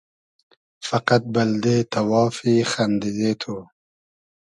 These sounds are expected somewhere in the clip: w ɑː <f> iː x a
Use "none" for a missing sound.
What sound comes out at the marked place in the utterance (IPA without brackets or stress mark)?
f